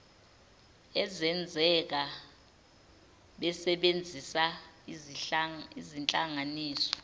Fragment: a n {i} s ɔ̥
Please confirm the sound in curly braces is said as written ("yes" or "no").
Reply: no